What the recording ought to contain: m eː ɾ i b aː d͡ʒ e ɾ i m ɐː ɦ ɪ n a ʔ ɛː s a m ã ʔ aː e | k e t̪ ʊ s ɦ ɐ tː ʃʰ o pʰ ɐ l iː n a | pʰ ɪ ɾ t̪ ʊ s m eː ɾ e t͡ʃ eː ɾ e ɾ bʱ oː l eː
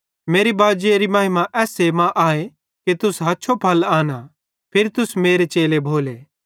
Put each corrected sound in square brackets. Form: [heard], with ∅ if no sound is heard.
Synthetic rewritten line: m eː ɾ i b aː d͡ʒ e ɾ i m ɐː ɦ ɪ [m] a ʔ ɛː s [e] m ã ʔ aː e | k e t̪ ʊ s ɦ ɐ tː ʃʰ o pʰ ɐ l [aː] n a | pʰ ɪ ɾ t̪ ʊ s m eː ɾ e t͡ʃ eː [l] e [∅] bʱ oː l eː